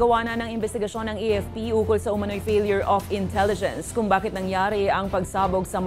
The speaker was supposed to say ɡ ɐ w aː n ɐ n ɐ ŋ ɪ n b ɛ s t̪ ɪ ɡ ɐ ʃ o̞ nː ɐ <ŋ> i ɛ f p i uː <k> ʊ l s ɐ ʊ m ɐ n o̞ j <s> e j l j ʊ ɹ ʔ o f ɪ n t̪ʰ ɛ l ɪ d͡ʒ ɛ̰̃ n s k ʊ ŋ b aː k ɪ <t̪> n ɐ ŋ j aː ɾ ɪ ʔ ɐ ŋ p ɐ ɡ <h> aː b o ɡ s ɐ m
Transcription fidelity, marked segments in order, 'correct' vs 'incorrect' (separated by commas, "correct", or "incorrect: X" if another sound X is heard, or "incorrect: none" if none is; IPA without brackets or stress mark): correct, correct, incorrect: f, correct, incorrect: s